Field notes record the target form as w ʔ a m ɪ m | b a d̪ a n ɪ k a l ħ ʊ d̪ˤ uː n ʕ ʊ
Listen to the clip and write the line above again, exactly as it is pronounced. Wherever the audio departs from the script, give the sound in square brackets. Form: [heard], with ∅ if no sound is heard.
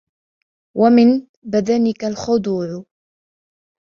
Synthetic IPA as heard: w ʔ a m ɪ [n] | b a d̪ a n ɪ k a l [x] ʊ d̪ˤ uː [∅] ʕ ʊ